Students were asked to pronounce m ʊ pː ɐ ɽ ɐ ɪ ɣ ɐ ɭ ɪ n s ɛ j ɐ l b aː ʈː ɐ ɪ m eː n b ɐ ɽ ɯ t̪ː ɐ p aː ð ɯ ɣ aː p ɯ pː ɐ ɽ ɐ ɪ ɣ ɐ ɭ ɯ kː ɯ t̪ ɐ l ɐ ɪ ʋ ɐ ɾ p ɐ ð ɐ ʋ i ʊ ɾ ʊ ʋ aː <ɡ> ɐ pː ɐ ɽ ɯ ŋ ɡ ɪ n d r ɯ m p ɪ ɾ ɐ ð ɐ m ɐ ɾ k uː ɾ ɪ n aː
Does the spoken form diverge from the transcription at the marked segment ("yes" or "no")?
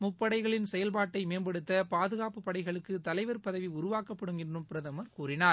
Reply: yes